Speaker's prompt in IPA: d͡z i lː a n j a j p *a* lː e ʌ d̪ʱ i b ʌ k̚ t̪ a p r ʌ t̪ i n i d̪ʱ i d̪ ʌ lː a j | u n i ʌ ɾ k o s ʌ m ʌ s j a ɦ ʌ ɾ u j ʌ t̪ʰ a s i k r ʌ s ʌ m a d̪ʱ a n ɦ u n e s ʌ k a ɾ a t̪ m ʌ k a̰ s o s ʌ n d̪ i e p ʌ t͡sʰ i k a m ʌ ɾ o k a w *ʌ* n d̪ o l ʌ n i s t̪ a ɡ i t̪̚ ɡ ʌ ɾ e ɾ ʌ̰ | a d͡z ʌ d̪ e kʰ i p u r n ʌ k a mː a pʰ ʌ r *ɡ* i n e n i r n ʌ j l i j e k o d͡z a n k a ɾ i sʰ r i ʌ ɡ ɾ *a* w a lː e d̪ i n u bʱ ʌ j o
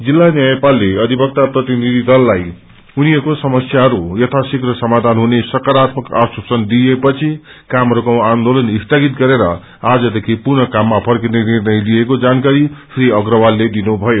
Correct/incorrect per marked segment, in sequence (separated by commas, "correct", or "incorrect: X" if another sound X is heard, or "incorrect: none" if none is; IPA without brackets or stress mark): correct, incorrect: a, incorrect: k, incorrect: ʌ